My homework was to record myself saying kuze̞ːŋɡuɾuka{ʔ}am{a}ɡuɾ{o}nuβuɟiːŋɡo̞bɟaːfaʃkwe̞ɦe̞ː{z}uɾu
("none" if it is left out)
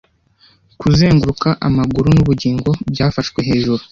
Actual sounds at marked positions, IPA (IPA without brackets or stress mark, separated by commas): ʔ, a, u, ʒ